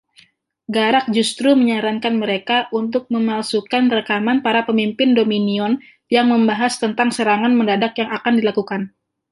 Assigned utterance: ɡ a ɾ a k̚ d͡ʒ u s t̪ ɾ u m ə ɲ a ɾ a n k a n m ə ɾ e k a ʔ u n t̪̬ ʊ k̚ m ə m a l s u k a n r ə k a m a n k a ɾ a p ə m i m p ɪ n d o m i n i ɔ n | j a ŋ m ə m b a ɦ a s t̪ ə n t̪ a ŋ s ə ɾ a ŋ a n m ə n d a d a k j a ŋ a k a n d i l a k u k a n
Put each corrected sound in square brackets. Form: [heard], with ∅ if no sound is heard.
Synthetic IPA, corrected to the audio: ɡ a ɾ a k̚ d͡ʒ u s t̪ ɾ u m ə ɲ a ɾ a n k a n m ə ɾ e k a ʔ u n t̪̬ ʊ k̚ m ə m a l s u k a n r ə k a m a n [p] a ɾ a p ə m i m p ɪ n d o m i n i ɔ n | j a ŋ m ə m b a ɦ a s t̪ ə n t̪ a ŋ s ə ɾ a ŋ a n m ə n d a d a k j a ŋ a k a n d i l a k u k a n